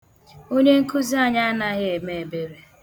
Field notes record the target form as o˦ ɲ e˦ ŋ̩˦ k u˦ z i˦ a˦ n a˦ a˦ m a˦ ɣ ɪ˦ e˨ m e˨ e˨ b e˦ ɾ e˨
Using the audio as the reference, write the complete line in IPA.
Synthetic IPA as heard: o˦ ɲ e˦ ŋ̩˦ k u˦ z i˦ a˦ ɲ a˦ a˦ n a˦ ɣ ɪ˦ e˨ m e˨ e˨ b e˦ ɾ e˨